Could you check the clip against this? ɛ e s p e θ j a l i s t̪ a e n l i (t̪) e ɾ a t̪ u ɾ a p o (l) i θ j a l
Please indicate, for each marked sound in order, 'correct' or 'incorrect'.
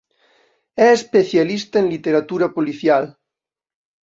correct, correct

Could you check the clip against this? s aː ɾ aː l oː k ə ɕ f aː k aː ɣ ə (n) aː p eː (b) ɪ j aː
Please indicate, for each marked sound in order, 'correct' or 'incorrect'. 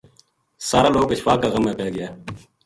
incorrect, incorrect

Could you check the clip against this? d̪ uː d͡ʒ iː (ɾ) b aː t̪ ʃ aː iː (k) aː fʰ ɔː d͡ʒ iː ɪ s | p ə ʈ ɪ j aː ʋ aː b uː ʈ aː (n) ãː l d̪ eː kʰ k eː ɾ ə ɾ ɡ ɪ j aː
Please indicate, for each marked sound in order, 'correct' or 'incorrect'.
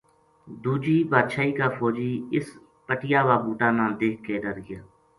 incorrect, correct, correct

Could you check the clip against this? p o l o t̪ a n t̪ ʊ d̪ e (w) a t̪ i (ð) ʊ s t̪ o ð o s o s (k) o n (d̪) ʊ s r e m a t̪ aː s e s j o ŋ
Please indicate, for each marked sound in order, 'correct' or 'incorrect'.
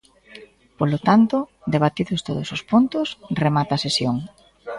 incorrect, correct, incorrect, incorrect

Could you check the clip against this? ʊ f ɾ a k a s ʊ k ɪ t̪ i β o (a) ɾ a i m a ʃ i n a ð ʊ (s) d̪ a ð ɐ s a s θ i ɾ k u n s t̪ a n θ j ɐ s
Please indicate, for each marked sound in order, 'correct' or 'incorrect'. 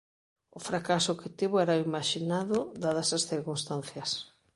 incorrect, incorrect

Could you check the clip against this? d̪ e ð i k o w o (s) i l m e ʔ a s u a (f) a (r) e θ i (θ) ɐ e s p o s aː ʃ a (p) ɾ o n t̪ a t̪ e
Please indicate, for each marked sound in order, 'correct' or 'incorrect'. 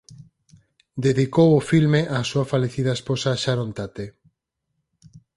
incorrect, correct, incorrect, incorrect, incorrect

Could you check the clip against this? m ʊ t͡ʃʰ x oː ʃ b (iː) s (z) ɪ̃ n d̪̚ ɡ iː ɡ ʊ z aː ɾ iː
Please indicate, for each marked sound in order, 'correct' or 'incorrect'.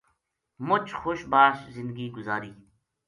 incorrect, correct

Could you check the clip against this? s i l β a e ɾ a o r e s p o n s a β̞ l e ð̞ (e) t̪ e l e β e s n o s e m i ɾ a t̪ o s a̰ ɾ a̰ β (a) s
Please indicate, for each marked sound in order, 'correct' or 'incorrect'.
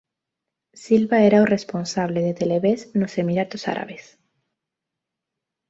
correct, incorrect

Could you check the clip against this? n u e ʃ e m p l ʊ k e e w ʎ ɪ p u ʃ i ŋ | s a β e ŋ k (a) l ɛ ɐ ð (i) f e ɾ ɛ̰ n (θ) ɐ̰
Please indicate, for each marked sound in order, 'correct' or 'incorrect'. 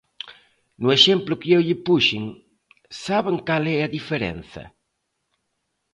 correct, correct, correct

